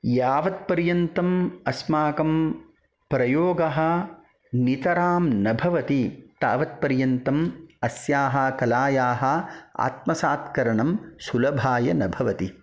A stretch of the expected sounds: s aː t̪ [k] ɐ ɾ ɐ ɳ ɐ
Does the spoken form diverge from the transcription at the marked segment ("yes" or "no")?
no